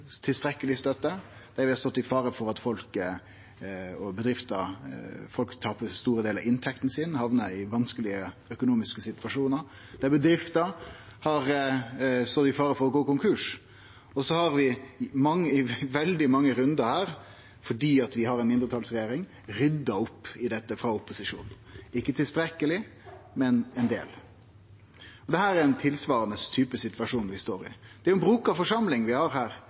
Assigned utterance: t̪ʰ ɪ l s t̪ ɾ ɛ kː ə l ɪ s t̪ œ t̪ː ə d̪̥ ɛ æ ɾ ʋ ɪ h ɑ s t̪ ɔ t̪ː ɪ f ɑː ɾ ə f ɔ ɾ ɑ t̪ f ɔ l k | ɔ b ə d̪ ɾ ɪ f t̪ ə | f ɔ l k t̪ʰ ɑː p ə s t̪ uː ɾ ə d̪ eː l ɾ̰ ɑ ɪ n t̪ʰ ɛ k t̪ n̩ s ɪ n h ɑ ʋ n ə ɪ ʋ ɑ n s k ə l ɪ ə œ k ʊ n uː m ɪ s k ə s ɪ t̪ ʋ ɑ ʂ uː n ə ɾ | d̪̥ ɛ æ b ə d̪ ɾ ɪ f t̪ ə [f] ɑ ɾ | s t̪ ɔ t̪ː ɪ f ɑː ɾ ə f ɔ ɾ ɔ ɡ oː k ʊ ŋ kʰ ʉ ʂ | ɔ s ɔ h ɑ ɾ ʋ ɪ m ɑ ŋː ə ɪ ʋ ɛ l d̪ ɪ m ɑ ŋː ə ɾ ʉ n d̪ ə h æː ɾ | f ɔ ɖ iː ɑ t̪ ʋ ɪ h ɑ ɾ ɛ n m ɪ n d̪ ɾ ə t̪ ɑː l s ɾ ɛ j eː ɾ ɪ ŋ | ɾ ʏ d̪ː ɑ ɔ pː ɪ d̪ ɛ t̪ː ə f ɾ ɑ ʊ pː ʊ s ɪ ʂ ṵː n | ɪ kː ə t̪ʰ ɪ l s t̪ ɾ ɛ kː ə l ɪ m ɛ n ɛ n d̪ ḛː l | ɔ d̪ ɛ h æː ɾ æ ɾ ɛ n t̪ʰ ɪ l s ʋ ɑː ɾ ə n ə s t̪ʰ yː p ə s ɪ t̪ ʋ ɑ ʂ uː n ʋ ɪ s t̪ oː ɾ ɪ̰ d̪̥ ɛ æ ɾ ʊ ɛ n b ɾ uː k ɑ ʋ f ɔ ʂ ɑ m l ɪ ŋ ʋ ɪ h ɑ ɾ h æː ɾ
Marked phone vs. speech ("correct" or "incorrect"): incorrect